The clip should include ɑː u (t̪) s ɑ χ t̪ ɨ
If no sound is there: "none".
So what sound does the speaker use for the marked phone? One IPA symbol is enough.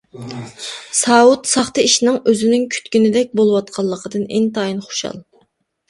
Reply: t̪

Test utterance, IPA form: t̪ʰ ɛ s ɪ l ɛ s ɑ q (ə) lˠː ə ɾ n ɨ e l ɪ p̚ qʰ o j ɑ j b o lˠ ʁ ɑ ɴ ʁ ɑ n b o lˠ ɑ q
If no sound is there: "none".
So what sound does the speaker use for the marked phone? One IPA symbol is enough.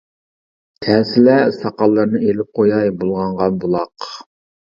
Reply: ɑ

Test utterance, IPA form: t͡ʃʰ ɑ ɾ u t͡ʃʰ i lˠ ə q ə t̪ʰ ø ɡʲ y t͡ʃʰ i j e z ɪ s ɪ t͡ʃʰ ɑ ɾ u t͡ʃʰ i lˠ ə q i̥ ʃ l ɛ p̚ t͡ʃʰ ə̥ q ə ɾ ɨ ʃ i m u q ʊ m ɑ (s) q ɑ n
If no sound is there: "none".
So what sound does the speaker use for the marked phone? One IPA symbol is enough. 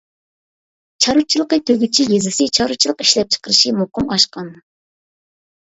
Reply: ʃ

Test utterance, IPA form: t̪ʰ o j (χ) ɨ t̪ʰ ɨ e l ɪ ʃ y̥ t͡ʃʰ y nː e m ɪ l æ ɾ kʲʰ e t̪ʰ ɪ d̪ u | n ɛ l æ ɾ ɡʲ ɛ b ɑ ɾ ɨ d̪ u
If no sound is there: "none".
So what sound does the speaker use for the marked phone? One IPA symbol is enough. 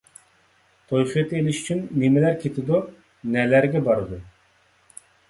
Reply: χ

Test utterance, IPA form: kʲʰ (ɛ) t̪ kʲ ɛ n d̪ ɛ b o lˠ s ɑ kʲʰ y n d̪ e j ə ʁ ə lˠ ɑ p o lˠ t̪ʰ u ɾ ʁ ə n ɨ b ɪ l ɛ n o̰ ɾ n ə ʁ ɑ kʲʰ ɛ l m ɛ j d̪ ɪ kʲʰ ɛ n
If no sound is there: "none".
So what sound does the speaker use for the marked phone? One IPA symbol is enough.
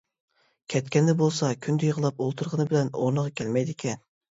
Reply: ɛ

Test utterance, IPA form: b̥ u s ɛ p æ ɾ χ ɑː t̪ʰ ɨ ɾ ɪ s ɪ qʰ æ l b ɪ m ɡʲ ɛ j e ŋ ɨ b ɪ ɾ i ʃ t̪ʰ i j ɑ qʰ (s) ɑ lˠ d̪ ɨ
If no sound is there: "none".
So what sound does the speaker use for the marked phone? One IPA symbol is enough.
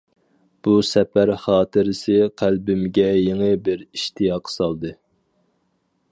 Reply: s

